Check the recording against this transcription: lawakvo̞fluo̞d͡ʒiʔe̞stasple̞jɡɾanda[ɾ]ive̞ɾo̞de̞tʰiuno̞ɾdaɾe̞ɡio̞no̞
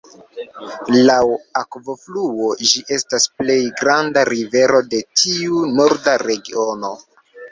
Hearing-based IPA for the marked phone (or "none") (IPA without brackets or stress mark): ɾ